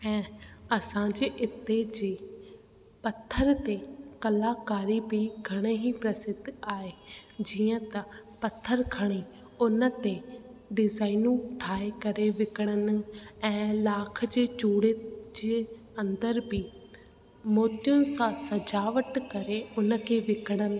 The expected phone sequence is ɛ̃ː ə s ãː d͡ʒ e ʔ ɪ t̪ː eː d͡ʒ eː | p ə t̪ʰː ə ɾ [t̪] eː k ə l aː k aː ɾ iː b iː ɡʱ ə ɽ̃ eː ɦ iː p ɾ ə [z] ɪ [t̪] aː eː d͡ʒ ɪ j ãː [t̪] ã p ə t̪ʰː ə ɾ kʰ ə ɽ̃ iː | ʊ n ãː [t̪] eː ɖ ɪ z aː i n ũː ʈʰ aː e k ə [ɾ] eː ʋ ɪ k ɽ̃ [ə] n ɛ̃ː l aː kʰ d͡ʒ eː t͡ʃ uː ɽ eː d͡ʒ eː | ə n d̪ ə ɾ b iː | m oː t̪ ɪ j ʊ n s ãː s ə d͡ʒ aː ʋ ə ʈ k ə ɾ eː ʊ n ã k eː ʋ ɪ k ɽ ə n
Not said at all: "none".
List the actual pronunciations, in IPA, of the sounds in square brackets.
t̪, s, d̪, t̪, t̪, ɾ, ə

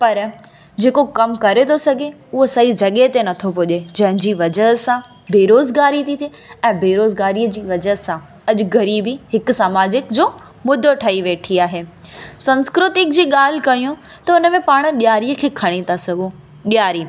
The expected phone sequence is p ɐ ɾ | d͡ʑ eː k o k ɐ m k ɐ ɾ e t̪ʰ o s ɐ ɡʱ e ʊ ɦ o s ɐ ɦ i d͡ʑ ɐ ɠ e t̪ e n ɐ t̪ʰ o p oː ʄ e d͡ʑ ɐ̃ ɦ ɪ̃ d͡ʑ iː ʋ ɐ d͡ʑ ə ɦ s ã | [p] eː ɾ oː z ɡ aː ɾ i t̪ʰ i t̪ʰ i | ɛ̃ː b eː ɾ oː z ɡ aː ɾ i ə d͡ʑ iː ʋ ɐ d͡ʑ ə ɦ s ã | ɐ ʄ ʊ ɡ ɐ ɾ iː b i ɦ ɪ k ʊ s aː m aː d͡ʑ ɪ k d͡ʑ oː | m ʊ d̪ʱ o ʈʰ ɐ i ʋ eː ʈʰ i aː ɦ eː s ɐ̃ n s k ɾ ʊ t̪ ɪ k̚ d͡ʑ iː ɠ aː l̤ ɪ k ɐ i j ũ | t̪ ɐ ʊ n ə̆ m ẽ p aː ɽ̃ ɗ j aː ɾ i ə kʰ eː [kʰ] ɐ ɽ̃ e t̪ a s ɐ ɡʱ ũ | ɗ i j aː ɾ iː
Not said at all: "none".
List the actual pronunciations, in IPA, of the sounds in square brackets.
b, kʰ

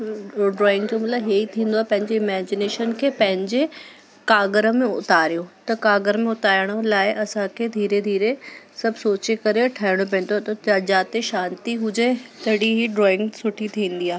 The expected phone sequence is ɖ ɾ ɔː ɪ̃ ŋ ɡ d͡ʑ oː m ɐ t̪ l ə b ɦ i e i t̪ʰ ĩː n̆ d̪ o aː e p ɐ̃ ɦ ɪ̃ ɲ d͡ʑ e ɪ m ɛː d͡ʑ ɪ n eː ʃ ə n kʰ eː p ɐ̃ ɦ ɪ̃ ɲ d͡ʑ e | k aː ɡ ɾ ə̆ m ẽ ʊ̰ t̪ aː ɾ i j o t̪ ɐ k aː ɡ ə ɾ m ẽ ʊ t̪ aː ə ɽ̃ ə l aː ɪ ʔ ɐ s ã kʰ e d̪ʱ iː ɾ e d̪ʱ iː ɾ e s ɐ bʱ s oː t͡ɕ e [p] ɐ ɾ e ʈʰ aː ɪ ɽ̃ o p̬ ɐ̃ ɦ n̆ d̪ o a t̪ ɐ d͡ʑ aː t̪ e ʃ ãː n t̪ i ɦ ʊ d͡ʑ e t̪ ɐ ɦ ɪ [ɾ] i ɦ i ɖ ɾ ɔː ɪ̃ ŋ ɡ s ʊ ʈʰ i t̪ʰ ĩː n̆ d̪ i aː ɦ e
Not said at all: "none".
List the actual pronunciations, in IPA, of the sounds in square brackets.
k, ɽ

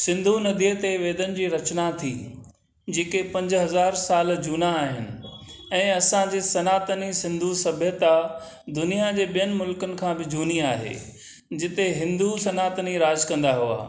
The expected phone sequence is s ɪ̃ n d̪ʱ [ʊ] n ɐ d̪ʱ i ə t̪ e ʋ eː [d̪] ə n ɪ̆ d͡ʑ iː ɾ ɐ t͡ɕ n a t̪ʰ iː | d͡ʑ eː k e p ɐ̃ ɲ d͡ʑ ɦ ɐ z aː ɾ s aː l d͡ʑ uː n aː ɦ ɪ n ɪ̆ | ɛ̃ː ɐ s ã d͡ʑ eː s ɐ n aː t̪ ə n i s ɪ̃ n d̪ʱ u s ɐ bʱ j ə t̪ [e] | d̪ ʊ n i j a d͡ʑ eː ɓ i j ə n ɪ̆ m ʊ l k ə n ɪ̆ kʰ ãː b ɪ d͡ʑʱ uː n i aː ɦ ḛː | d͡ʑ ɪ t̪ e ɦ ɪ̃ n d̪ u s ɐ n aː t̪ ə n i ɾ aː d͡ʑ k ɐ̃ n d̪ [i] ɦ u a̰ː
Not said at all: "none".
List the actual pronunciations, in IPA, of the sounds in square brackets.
u, d̪, a, a

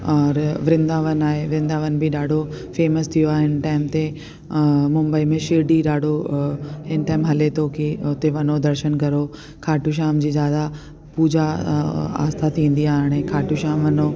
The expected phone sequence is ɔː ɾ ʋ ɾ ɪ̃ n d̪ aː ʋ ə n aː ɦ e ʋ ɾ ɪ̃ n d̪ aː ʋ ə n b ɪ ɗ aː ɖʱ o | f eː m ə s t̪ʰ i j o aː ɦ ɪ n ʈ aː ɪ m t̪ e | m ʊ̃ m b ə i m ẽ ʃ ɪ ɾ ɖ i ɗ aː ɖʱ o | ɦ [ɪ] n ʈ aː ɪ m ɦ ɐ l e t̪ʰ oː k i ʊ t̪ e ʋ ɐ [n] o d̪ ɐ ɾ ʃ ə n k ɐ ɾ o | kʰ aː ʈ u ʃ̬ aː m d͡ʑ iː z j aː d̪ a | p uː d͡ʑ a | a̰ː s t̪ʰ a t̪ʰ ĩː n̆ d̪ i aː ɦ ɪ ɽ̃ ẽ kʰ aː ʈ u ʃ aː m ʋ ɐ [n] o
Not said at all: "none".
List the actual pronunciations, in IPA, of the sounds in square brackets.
ɪ, n, n

